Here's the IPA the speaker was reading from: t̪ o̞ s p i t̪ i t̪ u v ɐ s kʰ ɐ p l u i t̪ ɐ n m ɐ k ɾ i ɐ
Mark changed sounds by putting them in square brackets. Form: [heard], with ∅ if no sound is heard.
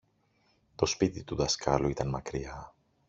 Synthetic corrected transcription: t̪ o̞ s p i t̪ i t̪ u [ð] ɐ s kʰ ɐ [∅] l u i t̪ ɐ n m ɐ k ɾ i ɐ